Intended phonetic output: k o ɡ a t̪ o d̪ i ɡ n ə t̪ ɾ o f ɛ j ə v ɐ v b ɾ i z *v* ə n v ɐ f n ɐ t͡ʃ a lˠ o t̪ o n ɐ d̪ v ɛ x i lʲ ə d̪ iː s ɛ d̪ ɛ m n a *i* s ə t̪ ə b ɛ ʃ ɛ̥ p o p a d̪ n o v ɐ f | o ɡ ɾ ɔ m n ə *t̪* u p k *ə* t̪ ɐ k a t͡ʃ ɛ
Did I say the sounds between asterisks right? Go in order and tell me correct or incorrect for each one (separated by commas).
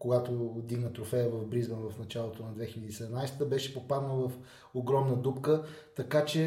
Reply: incorrect, incorrect, incorrect, correct